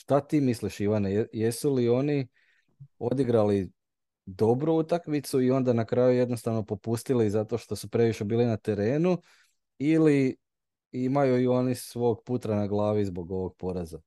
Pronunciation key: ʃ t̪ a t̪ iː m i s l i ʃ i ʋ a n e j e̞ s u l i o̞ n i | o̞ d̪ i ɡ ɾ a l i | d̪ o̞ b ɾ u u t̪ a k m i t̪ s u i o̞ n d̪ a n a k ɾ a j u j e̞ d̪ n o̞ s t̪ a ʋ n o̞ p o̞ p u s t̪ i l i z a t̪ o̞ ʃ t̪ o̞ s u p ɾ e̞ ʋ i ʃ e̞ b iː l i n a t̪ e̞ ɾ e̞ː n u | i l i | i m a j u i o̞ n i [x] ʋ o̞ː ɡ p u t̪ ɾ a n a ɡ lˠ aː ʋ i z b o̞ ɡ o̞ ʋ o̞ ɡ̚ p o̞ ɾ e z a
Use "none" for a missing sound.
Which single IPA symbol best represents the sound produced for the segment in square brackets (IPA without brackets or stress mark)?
s